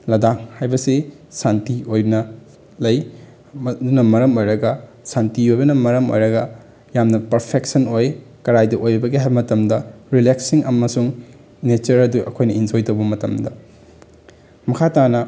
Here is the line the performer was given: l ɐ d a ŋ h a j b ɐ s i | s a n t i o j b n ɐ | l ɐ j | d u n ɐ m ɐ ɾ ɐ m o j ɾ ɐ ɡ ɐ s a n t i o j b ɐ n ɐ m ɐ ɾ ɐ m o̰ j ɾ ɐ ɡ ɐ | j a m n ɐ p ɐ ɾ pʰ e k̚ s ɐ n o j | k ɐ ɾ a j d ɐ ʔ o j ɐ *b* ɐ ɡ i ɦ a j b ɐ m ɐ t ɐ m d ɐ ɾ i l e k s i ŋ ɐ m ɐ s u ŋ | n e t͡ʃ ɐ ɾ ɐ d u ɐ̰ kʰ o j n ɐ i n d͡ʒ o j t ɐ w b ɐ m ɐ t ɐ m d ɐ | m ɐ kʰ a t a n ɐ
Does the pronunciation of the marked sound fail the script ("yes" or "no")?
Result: no